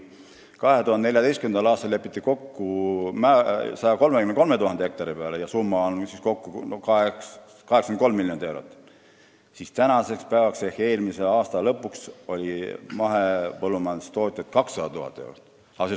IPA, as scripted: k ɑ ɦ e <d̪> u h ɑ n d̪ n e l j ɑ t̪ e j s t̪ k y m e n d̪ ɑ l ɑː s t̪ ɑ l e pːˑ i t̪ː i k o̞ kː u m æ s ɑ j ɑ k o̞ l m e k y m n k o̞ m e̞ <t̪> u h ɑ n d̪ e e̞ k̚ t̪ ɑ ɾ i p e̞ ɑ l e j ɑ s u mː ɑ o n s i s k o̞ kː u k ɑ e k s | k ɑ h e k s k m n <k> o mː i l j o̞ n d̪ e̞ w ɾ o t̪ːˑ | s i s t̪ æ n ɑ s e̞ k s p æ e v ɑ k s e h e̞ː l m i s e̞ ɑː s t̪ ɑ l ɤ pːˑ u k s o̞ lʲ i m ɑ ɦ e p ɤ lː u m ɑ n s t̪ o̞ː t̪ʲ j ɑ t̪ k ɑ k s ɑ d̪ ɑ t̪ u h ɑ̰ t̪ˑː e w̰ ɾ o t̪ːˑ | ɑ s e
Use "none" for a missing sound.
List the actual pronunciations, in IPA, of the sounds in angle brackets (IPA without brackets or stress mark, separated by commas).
t̪, t̪, k